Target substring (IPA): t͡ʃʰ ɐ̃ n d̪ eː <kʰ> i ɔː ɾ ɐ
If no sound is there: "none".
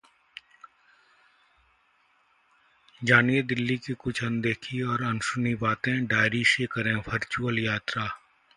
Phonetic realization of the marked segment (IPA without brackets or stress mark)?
kʰ